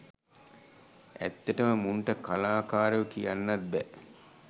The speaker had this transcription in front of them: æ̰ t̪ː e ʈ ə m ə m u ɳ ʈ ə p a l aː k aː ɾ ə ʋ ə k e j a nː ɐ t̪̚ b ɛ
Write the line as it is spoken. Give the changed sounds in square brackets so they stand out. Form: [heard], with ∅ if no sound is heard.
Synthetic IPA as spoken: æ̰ t̪ː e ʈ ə m ə m u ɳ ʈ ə [k] a l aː k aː ɾ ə ʋ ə k [i] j a nː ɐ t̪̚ b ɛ

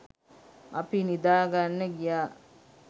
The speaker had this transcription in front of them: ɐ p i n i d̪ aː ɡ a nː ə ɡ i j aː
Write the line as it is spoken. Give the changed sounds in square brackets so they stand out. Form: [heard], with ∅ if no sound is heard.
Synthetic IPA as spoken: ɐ p i n i d̪ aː ɡ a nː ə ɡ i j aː

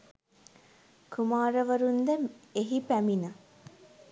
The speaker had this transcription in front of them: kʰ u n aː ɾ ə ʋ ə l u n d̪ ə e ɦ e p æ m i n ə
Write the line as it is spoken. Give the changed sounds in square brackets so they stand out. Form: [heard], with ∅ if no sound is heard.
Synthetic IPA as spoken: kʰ u [m] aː ɾ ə ʋ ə [ɾ] u n d̪ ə e ɦ [i] p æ m i n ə

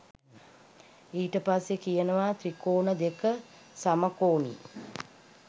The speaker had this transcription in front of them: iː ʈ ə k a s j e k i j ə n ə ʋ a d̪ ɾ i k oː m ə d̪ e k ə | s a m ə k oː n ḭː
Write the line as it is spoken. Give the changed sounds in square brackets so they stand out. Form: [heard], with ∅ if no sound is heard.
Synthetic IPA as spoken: iː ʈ ə [p] a s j e k i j ə n ə ʋ a [t̪] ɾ i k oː [n] ə d̪ e k ə | s a m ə k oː n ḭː

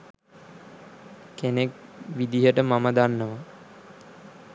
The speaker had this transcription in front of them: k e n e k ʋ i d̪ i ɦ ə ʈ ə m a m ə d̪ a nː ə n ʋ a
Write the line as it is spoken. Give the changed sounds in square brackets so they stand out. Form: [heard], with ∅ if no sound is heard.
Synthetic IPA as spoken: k e n e k ʋ i d̪ i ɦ ə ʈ ə m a m ə d̪ a nː ə [∅] ʋ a

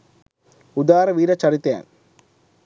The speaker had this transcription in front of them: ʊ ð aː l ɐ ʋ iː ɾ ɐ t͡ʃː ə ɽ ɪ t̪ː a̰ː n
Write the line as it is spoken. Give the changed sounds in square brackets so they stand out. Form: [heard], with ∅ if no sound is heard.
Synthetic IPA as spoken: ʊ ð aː [ɾ] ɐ ʋ iː ɾ ɐ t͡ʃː [ɐ] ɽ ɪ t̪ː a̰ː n

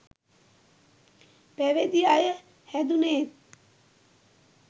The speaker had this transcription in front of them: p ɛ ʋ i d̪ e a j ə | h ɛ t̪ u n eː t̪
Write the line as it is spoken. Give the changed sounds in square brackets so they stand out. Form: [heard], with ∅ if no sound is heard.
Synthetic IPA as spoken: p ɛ ʋ [e] d̪ [i] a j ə | h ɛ [d̪] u n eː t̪

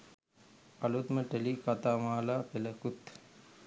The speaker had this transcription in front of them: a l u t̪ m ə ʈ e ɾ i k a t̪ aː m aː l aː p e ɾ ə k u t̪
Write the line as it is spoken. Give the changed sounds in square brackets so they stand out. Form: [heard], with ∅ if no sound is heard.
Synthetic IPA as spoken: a l u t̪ m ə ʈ e [l] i k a t̪ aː m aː l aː p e [l] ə k u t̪

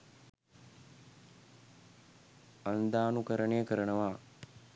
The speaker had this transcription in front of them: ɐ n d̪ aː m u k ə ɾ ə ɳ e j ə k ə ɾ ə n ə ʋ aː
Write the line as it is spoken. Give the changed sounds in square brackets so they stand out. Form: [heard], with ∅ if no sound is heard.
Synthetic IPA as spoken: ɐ n d̪ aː [n] u k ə ɾ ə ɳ e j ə k ə ɾ ə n ə ʋ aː

